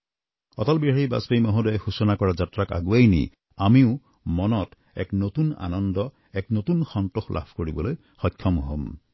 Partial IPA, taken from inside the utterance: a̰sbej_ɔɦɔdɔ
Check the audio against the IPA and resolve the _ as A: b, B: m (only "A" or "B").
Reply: B